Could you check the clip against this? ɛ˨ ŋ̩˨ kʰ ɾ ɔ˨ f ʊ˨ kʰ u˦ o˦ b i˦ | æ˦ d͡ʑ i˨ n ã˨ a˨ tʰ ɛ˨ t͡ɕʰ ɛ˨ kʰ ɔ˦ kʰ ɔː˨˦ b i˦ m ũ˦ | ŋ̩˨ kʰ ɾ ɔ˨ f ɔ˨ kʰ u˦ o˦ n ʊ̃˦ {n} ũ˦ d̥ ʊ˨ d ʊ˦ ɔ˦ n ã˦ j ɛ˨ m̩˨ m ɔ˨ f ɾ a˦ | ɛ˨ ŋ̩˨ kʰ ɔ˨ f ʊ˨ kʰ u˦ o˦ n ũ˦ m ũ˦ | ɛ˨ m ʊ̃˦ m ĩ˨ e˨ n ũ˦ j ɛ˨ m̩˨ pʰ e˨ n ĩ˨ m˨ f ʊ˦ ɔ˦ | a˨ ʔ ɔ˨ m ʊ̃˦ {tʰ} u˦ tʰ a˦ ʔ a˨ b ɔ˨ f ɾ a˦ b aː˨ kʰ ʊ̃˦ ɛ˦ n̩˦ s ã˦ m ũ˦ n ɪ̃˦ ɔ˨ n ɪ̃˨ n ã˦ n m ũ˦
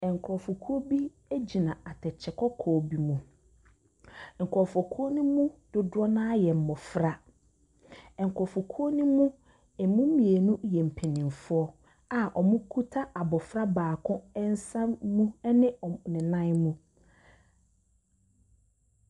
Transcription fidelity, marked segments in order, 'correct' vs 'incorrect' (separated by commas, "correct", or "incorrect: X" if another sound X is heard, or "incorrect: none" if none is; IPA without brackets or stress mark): incorrect: m, incorrect: kʰ